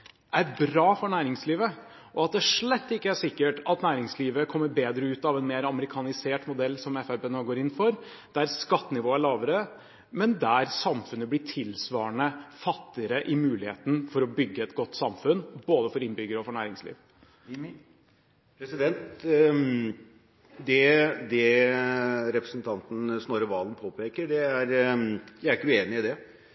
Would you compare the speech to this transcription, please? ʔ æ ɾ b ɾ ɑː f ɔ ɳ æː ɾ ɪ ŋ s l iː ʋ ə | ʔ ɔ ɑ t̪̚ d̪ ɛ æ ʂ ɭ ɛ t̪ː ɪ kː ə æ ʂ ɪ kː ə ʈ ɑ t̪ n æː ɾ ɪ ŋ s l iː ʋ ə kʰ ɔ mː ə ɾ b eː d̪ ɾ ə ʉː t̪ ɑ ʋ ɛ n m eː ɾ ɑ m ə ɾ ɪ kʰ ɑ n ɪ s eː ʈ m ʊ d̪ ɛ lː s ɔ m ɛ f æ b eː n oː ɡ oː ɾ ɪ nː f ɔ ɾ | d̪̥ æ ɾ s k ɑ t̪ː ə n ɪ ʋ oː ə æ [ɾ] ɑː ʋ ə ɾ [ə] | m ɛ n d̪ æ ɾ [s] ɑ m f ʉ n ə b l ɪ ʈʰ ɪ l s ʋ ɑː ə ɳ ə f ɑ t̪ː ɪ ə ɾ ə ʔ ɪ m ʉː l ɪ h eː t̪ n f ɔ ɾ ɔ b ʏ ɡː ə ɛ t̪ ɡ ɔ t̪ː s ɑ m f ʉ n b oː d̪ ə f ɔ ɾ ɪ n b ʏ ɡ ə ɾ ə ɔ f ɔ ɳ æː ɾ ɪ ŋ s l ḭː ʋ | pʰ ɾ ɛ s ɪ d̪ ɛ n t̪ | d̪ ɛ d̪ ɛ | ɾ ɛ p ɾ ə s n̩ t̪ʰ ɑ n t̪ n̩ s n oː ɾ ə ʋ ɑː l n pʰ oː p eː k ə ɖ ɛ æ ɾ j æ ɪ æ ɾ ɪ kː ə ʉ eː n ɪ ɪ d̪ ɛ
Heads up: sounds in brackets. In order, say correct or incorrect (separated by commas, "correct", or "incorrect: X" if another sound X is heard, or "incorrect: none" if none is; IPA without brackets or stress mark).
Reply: incorrect: ɭ, correct, correct